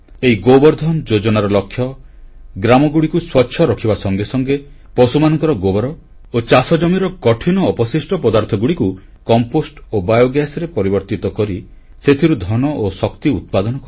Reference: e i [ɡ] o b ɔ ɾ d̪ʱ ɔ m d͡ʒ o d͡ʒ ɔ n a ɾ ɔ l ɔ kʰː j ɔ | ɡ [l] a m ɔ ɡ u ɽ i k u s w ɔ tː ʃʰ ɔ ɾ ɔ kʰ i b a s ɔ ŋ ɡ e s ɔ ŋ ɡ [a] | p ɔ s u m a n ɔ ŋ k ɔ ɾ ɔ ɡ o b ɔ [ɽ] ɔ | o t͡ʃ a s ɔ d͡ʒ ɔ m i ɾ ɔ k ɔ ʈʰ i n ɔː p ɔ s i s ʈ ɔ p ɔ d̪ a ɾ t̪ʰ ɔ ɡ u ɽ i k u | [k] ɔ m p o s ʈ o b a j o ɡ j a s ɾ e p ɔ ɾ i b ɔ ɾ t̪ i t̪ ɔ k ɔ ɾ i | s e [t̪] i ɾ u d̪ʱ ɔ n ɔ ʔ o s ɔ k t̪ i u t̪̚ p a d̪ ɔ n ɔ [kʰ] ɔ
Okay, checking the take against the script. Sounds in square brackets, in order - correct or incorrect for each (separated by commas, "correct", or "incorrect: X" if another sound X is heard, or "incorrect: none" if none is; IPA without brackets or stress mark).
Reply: correct, incorrect: ɾ, incorrect: e, incorrect: ɾ, correct, incorrect: t̪ʰ, incorrect: k